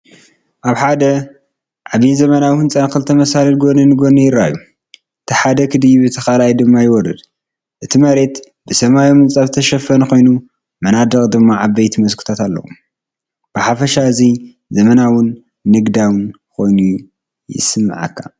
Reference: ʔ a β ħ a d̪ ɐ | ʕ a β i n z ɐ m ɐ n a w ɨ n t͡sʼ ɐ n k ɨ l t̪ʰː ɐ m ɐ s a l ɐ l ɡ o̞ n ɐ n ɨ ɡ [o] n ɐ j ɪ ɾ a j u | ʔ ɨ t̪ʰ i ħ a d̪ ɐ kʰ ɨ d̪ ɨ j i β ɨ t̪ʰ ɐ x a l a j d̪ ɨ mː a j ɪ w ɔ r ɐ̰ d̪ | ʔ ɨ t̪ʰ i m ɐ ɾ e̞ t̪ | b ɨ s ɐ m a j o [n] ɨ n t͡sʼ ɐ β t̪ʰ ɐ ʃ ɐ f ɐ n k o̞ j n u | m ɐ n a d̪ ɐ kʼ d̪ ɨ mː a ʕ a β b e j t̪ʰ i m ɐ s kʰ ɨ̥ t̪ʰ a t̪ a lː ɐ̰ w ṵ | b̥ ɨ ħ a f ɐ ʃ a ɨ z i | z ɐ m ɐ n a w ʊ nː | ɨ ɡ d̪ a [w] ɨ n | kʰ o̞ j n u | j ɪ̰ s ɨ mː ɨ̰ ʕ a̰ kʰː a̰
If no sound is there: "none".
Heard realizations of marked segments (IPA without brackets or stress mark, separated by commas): o, m, w